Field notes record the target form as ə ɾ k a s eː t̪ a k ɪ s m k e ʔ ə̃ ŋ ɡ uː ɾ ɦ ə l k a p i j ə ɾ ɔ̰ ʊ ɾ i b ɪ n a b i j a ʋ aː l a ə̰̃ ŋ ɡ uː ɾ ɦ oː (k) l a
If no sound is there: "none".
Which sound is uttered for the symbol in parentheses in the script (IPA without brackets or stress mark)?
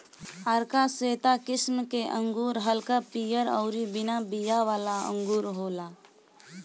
none